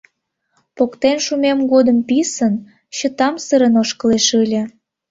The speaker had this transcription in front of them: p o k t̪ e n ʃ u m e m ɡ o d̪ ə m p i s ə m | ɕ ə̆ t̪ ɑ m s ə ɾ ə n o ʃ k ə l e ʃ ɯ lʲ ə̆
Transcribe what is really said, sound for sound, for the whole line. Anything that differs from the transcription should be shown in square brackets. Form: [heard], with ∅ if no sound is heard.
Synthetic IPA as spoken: p o k t̪ e n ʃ u m e m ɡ o d̪ ə m p i s ə [n] | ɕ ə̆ t̪ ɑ m s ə ɾ ə n o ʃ k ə l e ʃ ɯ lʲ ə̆